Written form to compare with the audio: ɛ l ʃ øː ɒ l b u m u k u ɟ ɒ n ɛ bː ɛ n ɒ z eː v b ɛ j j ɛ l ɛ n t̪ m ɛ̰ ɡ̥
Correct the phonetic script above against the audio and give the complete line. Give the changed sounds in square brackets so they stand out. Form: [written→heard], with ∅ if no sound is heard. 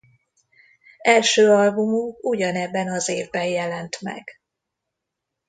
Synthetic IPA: ɛ l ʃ øː ɒ l b u m u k u ɟ ɒ n ɛ bː ɛ n ɒ z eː v b ɛ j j ɛ l ɛ n t̪ m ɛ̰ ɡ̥